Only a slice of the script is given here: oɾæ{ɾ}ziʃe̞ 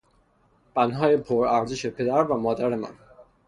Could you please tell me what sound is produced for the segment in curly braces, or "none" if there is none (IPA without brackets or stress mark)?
ɾ